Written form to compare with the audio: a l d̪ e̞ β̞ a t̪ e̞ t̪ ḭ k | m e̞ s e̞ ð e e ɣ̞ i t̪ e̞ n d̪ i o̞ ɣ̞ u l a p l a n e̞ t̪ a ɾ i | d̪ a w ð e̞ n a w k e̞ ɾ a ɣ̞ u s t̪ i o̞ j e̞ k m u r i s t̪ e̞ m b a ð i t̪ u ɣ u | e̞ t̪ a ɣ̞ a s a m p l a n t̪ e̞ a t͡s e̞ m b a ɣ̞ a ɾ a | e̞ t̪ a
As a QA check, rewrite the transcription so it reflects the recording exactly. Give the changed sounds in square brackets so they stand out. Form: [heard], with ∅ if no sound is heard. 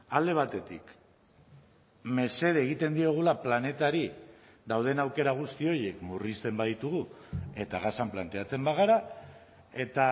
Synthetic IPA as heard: a l d̪ e̞ β̞ a t̪ e̞ t̪ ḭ k | m e̞ s e̞ ð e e ɣ̞ i t̪ e̞ n d̪ i o̞ ɣ̞ u l a p l a n e̞ t̪ a ɾ i | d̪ a w ð e̞ n a w k e̞ ɾ a ɣ̞ u s t̪ i o̞ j e̞ k m u r i s t̪ e̞ m b a ð i t̪ u ɣ u | e̞ t̪ a ɣ̞ a s a m p l a n t̪ e̞ a t͡s e̞ m b a ɣ̞ a ɾ a | e̞ t̪ a